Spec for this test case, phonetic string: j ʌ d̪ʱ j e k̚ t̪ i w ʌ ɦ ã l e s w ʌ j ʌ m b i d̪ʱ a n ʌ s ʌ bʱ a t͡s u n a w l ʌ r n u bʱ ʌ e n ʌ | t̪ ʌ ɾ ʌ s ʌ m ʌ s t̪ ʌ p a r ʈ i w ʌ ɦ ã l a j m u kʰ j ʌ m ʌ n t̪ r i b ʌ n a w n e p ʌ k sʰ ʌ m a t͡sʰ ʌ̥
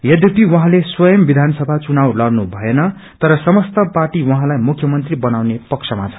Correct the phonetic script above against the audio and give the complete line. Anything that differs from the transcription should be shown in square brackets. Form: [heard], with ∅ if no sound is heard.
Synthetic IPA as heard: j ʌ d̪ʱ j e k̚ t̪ i w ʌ ɦ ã l e s w ʌ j ʌ m b i d̪ʱ a n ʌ s ʌ bʱ a t͡s u n a w l ʌ r n u bʱ ʌ e n ʌ | t̪ ʌ ɾ ʌ s ʌ m ʌ s t̪ ʌ p a r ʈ i w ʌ ɦ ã l a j m u kʰ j ʌ m ʌ n t̪ r i b ʌ n a w n e p ʌ k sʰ ʌ m a t͡sʰ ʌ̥